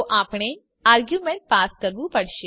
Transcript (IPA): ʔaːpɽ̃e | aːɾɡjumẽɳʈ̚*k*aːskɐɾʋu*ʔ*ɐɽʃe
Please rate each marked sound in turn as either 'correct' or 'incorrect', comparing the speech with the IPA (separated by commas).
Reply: incorrect, incorrect